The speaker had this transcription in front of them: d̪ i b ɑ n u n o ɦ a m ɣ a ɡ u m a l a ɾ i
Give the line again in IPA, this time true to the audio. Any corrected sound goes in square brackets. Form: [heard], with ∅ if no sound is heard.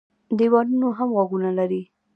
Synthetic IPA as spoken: d̪ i [w] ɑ n u n o ɦ a m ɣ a ɡ u [n] a l a ɾ i